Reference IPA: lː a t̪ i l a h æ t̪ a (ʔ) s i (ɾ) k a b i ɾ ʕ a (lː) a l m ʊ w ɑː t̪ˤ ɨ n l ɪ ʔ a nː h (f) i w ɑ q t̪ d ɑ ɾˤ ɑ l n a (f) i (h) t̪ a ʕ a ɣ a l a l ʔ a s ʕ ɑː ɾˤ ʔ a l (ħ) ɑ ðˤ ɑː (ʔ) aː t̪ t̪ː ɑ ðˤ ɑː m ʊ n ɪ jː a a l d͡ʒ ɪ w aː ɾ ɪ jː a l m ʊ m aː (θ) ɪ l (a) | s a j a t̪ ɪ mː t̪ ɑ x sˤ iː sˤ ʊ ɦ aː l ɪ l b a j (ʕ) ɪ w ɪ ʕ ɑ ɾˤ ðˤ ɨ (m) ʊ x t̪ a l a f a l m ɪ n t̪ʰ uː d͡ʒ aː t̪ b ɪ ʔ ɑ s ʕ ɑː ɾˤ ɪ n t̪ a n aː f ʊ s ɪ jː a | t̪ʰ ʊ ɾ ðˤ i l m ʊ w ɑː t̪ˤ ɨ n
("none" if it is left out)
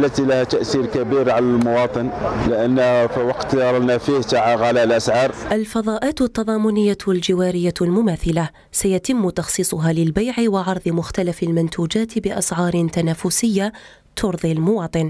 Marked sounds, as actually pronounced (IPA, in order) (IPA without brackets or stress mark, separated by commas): ʔ, ɾ, l, f, f, h, f, ʔ, θ, a, ʕ, m